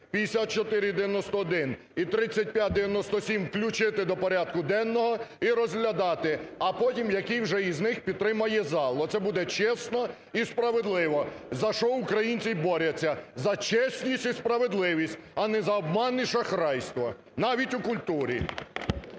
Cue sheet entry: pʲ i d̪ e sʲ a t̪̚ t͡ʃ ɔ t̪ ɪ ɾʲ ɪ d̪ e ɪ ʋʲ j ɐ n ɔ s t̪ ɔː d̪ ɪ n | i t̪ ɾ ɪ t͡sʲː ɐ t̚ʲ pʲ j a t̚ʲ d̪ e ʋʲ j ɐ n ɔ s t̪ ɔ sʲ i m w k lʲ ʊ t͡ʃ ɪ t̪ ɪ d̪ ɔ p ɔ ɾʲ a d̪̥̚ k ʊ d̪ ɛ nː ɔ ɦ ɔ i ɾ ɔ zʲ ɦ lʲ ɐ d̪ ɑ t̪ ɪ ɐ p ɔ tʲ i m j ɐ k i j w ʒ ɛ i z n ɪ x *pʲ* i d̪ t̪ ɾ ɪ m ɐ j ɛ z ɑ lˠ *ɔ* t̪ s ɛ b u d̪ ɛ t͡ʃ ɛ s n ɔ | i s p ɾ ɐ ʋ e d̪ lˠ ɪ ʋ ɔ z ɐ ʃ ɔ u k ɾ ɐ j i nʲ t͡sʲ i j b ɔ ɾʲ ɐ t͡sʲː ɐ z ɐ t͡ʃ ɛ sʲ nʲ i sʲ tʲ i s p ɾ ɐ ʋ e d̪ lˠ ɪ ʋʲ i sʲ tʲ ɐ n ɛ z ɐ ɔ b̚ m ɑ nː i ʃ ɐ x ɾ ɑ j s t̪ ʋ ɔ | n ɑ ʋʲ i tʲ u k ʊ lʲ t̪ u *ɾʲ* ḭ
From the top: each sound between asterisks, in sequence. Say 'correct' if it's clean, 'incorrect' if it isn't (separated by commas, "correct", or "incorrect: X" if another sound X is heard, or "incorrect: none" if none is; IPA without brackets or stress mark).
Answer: correct, correct, correct